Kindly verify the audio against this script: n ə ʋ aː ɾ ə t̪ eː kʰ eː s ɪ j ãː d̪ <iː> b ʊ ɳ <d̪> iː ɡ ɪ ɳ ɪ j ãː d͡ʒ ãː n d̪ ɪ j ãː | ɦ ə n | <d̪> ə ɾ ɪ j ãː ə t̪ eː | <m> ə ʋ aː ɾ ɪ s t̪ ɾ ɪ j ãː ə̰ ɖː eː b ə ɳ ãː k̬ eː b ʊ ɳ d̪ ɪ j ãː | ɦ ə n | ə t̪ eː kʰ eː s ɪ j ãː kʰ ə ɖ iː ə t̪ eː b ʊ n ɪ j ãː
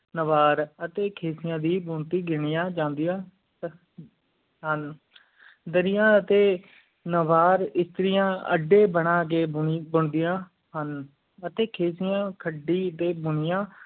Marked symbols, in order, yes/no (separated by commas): yes, no, yes, no